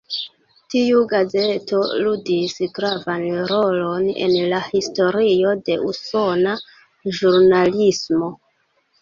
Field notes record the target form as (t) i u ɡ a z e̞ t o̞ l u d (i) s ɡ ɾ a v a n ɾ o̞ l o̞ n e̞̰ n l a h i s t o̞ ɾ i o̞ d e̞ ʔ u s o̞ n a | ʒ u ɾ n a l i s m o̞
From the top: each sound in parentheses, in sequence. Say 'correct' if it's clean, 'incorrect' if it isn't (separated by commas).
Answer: correct, correct